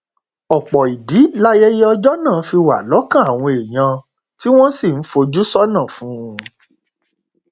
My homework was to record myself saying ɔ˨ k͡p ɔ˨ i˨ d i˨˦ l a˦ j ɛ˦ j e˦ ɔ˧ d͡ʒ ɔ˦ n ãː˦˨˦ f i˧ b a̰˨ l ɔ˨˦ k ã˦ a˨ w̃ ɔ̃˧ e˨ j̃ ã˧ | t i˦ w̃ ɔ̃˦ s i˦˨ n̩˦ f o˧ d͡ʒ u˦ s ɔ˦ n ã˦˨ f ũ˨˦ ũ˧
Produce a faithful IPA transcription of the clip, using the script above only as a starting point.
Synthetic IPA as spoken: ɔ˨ k͡p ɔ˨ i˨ d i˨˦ l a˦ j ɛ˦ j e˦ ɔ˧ d͡ʒ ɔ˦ n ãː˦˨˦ f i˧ w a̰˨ l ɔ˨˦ k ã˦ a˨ w̃ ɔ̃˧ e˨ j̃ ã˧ | t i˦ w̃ ɔ̃˦ s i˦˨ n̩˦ f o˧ d͡ʒ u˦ s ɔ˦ n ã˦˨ f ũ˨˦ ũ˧